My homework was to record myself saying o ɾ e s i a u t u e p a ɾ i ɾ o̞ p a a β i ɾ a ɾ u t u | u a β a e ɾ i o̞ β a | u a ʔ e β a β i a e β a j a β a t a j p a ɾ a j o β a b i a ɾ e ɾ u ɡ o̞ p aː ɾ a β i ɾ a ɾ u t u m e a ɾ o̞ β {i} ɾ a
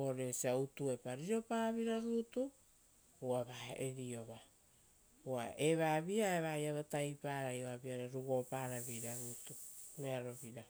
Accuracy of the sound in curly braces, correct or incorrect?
correct